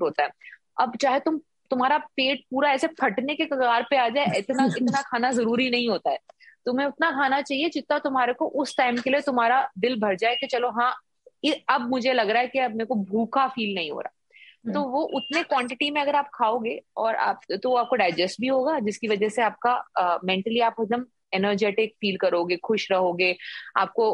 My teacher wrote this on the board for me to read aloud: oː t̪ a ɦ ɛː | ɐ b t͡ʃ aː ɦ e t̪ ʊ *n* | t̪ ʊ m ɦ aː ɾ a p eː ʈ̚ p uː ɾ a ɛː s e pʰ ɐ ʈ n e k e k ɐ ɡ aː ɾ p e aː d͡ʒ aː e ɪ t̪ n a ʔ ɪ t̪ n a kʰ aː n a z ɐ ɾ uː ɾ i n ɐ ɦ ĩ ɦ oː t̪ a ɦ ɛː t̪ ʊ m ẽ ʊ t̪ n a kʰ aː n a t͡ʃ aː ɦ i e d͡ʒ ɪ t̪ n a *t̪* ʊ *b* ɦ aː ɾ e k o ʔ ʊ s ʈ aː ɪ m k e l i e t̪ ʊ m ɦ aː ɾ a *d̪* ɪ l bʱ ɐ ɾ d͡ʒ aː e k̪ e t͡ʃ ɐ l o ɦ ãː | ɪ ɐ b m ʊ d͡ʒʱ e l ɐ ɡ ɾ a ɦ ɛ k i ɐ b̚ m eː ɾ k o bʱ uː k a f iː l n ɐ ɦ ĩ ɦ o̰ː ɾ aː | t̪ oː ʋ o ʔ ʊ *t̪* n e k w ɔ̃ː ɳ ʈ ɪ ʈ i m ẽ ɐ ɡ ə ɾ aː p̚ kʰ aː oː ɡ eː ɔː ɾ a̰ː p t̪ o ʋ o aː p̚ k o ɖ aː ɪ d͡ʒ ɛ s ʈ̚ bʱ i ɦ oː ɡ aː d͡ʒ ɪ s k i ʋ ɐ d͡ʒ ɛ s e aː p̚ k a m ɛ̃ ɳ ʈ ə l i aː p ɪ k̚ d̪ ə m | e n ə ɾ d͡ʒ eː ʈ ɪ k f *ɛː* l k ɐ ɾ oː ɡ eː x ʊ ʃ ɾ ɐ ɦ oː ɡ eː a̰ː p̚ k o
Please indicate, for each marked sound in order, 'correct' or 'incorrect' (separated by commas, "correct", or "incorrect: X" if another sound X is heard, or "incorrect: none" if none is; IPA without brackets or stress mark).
incorrect: m, correct, incorrect: m, correct, correct, incorrect: iː